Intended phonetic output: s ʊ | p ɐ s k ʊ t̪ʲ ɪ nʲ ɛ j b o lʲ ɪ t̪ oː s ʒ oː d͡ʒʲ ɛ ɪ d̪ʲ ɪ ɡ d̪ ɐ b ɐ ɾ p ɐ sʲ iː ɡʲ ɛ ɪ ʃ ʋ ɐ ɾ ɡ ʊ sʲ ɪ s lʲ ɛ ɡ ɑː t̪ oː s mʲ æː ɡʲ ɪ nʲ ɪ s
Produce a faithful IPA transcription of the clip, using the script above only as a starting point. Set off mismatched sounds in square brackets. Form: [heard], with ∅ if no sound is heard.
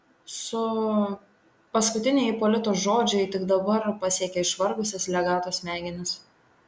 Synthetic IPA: s ʊ | p ɐ s k ʊ t̪ʲ ɪ nʲ ɛ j [p] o lʲ ɪ t̪ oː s ʒ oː d͡ʒʲ ɛ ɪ [t̪ʲ] ɪ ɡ d̪ ɐ b ɐ ɾ p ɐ sʲ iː [kʲ] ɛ ɪ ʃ ʋ ɐ ɾ ɡ ʊ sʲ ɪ s lʲ ɛ ɡ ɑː t̪ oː s mʲ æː ɡʲ ɪ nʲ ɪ s